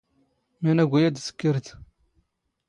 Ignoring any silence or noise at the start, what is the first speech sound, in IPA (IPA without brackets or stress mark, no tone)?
m